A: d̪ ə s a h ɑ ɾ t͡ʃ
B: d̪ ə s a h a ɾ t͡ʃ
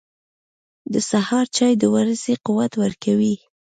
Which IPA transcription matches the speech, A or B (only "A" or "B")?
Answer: A